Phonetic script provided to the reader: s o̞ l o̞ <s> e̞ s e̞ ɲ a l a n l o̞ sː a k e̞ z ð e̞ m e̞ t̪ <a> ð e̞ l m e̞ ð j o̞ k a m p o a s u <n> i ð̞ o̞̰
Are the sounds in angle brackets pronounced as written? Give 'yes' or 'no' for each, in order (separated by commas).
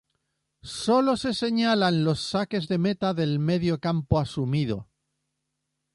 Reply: yes, yes, no